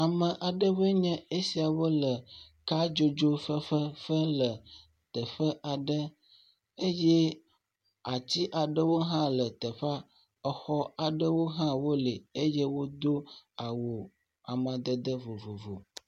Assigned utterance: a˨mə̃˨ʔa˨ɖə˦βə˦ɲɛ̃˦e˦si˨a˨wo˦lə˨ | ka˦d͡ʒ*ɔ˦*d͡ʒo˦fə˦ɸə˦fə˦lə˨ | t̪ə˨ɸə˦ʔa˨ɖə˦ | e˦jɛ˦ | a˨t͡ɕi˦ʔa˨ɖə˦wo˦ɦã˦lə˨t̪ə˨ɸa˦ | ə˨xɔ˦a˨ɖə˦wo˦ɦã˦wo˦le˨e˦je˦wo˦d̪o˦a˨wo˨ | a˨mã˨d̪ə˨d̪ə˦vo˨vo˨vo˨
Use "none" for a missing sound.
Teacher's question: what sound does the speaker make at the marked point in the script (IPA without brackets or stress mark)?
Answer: o˦